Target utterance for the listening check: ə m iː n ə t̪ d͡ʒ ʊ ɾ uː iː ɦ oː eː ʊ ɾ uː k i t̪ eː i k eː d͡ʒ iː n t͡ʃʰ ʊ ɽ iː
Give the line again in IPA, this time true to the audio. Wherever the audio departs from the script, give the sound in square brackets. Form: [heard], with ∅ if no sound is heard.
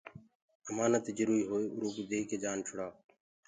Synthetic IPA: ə m [aː] n ə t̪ d͡ʒ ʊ ɾ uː iː ɦ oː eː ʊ ɾ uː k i [d̪] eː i k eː d͡ʒ [aː] n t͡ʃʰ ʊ ɽ [aː]